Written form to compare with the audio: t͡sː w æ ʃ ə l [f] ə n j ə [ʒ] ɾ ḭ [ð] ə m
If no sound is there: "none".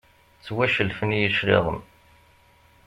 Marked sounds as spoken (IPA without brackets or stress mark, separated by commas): f, ʃ, ʁ